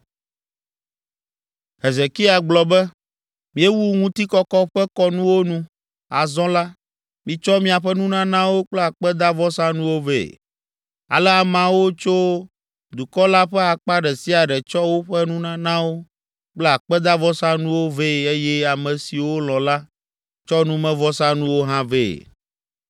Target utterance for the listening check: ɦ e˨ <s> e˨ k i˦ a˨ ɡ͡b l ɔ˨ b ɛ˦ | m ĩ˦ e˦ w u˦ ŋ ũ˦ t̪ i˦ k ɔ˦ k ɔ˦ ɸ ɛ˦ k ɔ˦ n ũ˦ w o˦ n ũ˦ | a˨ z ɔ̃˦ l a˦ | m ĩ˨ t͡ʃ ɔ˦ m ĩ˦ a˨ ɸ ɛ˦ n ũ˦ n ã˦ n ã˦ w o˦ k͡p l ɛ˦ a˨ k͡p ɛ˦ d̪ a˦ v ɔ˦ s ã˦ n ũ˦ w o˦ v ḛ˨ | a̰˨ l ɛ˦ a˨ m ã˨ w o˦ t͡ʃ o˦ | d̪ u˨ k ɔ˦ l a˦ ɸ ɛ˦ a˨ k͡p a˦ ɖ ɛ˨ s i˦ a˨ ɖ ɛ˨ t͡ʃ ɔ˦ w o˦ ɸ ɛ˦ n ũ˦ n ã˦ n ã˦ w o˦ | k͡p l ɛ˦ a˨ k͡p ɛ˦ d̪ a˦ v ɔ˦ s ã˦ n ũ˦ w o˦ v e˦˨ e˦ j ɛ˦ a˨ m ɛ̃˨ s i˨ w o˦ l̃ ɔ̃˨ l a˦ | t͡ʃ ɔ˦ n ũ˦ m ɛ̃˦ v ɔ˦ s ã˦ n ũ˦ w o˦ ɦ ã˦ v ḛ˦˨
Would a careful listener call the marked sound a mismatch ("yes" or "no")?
yes